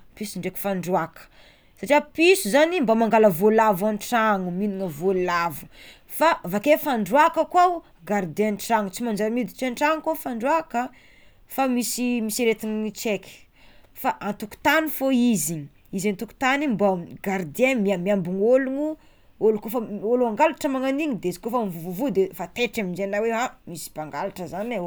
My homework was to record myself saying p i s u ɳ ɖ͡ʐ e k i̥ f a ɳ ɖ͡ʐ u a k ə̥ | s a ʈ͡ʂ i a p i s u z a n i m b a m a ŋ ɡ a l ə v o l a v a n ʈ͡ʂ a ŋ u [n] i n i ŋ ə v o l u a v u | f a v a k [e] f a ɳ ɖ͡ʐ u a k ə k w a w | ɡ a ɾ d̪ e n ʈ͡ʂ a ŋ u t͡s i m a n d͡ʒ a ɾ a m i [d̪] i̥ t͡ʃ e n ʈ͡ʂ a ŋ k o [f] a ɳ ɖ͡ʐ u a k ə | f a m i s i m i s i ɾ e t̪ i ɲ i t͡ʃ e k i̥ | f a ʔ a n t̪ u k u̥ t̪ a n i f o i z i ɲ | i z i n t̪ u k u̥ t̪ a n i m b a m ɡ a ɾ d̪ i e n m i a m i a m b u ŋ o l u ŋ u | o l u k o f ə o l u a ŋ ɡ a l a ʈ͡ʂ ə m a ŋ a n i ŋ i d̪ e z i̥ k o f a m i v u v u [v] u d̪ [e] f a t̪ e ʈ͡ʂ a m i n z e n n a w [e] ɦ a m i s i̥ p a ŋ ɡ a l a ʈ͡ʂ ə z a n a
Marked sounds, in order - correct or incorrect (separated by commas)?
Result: incorrect, correct, correct, correct, correct, correct, correct